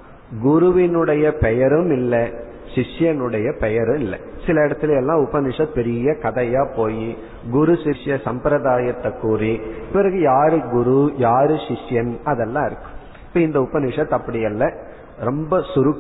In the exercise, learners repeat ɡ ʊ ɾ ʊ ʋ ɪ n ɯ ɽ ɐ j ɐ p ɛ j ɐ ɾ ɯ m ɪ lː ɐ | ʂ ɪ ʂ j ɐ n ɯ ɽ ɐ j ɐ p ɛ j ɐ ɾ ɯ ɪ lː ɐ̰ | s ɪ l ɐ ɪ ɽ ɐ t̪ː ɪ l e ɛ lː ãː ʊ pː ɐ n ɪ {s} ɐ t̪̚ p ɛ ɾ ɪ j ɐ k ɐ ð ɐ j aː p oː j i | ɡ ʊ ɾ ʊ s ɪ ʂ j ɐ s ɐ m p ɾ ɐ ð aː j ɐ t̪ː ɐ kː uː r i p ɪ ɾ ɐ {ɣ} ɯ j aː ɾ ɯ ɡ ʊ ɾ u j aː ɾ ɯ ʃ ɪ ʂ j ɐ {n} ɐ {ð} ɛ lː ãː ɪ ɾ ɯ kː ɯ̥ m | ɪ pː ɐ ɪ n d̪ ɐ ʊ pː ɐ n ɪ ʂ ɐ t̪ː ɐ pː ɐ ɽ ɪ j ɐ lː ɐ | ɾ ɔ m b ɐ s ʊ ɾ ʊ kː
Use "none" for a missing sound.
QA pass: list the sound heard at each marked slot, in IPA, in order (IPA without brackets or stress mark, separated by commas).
ʂ, ɣ, n, ð